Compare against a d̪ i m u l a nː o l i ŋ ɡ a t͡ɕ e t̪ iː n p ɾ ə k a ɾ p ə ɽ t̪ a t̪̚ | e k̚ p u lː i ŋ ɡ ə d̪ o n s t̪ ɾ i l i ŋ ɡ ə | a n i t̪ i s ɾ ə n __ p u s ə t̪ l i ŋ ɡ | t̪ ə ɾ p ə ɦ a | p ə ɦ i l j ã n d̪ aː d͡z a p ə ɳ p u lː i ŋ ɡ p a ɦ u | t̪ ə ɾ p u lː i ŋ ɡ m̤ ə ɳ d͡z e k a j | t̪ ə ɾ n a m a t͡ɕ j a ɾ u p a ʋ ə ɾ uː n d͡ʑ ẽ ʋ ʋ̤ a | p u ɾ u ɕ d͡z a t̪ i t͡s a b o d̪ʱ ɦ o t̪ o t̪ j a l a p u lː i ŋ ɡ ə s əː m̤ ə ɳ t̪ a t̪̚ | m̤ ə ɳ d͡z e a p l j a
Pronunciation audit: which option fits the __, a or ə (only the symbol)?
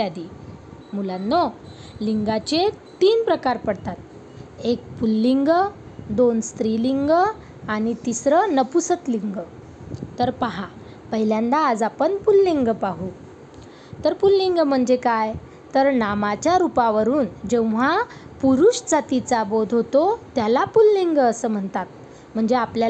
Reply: ə